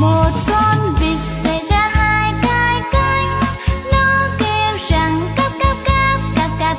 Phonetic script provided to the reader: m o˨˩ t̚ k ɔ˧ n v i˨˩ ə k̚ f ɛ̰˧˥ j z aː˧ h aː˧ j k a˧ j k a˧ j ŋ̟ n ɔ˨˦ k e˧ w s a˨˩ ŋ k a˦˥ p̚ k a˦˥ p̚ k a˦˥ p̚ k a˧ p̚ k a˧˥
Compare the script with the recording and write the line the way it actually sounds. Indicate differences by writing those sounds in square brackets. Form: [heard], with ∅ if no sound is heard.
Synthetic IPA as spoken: m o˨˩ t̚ k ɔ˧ n v i˨˩ ə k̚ [s] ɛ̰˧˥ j z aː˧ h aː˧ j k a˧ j k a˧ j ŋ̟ n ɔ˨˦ k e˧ w [z] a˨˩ ŋ k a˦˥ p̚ k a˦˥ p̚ k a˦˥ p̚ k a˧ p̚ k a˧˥